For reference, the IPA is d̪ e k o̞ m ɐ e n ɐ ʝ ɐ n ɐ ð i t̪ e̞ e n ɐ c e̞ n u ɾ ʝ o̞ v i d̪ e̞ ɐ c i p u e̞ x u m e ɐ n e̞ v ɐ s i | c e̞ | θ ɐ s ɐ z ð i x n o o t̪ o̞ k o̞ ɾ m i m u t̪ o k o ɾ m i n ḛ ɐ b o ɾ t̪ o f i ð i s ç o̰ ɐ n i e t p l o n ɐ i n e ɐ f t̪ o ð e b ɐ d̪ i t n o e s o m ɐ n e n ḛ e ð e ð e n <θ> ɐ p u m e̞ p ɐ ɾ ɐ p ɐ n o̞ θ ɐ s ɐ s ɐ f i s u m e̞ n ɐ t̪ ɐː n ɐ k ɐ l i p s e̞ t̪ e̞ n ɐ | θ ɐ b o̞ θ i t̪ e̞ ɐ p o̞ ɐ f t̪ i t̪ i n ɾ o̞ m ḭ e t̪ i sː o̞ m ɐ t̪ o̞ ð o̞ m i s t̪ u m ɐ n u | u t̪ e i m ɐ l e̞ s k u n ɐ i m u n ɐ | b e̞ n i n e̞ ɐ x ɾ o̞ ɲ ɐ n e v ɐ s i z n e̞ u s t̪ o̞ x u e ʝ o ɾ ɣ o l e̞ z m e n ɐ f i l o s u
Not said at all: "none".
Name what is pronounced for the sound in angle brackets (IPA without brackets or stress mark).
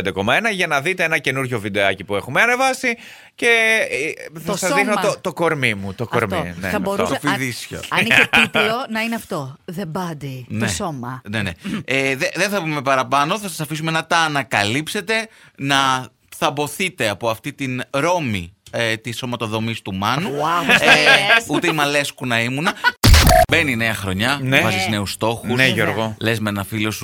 θ